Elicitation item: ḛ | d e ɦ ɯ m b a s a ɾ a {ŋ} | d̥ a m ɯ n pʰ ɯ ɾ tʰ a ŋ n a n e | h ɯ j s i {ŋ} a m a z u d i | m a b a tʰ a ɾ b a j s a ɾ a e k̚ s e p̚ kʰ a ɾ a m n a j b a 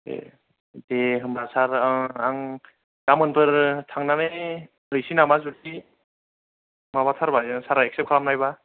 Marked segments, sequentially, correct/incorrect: correct, incorrect

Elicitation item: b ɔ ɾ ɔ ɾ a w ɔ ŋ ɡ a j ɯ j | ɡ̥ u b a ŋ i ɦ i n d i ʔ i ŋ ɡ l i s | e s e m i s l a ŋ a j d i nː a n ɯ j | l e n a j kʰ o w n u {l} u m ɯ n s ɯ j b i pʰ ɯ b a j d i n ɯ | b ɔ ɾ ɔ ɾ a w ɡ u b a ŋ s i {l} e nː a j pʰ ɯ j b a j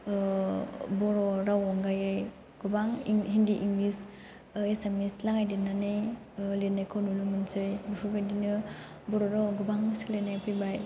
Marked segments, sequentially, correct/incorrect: correct, correct

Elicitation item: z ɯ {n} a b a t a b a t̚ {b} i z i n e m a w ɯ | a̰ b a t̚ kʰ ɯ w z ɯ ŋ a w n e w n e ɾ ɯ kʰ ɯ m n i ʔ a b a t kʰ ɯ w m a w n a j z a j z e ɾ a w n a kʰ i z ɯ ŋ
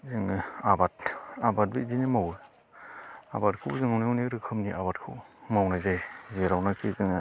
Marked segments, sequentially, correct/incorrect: incorrect, correct

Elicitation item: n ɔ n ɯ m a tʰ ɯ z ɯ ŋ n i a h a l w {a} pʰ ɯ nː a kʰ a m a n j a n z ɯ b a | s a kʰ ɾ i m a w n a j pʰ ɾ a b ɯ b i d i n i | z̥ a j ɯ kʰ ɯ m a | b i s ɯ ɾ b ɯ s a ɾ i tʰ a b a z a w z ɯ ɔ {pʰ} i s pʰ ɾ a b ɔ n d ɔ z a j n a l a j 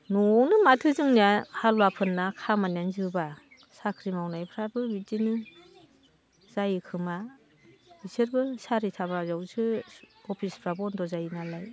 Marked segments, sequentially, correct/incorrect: correct, correct

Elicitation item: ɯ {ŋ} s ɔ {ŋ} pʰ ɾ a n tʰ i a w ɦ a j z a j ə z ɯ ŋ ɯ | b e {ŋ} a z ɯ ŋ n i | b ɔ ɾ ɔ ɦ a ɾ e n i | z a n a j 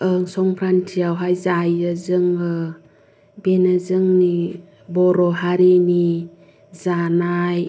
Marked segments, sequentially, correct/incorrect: correct, correct, incorrect

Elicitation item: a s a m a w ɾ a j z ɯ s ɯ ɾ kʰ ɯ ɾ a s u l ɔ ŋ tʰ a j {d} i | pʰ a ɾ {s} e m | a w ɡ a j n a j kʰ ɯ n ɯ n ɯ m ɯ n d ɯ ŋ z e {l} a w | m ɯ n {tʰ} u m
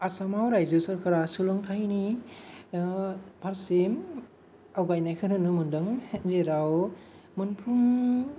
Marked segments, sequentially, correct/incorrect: incorrect, correct, incorrect, incorrect

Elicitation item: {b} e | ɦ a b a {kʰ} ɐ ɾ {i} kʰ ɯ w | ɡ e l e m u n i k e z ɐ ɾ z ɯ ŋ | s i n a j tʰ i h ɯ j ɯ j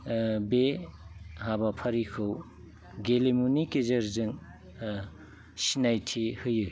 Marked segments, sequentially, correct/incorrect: correct, incorrect, correct

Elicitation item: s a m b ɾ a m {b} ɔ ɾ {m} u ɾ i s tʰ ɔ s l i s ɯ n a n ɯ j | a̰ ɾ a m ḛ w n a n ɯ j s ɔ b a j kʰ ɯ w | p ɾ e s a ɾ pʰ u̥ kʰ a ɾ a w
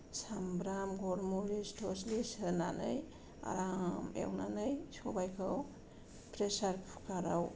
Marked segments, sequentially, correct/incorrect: incorrect, correct

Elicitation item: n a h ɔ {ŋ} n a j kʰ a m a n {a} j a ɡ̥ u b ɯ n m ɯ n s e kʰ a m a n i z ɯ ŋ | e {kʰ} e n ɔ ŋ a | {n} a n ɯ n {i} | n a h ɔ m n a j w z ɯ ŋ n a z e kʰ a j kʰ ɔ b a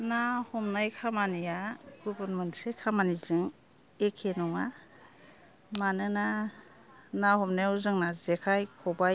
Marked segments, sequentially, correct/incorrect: incorrect, incorrect, correct, incorrect, incorrect

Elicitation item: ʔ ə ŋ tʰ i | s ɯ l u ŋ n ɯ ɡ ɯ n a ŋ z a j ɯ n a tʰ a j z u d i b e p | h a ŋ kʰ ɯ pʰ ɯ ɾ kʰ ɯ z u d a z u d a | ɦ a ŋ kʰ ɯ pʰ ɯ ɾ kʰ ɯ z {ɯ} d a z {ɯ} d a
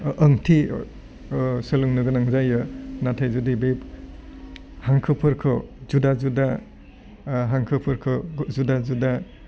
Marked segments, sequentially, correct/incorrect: incorrect, incorrect

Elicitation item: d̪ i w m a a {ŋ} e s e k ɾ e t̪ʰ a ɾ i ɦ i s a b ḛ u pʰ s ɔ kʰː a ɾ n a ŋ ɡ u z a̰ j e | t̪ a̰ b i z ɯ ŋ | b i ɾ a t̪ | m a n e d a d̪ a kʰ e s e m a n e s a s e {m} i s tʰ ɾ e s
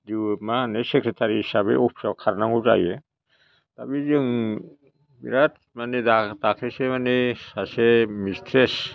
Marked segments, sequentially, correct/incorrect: incorrect, correct

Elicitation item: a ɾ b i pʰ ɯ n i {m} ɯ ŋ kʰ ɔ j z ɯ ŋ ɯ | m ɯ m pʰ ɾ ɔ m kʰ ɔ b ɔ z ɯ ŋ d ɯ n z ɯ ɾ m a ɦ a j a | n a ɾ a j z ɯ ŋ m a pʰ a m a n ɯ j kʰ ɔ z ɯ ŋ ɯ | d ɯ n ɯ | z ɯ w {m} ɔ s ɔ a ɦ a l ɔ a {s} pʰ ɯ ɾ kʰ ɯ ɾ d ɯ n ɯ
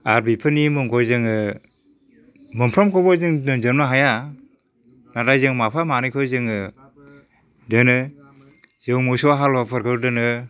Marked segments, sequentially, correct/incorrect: correct, correct, incorrect

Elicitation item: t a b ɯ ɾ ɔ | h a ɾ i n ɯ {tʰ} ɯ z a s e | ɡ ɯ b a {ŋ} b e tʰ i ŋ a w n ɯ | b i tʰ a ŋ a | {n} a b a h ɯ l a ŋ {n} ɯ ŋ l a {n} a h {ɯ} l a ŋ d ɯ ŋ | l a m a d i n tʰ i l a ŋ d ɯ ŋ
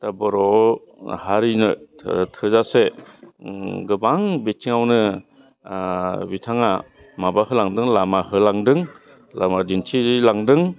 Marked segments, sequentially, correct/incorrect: correct, correct, incorrect, incorrect, incorrect, correct

